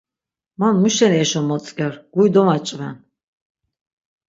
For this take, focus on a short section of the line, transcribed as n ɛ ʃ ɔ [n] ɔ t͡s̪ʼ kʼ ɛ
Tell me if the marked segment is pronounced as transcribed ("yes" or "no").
no